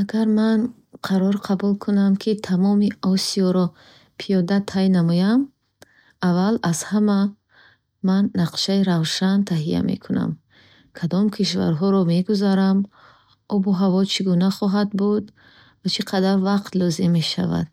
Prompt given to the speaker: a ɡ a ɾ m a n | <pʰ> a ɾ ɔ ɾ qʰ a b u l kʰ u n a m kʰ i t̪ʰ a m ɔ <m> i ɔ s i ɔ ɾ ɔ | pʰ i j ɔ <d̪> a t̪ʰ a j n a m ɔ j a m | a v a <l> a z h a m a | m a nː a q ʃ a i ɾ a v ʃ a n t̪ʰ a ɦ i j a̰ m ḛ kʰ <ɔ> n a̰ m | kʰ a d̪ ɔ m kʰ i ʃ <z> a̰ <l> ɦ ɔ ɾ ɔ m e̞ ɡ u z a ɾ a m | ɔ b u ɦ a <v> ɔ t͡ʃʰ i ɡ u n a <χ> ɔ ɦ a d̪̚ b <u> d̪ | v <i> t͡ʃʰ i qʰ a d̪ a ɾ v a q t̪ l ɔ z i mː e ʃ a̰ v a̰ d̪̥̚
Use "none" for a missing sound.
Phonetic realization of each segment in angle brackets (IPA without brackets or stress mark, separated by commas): qʰ, m, d̪, l, u, v, ɾ, v, χ, u, a